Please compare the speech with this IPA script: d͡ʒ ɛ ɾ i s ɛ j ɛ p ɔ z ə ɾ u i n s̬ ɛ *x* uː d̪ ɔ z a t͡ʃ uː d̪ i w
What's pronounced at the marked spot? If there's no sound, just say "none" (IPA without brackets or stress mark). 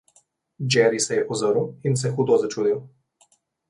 x